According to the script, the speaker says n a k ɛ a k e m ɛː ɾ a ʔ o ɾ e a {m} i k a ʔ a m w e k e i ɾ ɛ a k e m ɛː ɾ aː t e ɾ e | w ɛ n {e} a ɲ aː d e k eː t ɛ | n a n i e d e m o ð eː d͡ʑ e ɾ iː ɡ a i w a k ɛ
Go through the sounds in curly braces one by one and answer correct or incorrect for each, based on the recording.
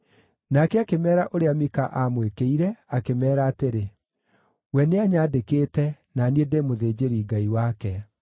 correct, correct

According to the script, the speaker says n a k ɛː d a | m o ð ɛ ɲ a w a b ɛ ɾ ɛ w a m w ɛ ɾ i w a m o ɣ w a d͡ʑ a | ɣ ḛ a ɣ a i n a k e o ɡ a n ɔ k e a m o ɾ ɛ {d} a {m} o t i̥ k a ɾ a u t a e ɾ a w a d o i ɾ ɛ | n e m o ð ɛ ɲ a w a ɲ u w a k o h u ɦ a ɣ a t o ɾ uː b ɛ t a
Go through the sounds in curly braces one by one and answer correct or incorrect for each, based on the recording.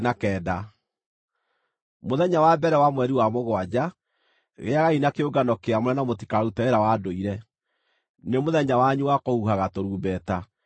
incorrect: n, correct

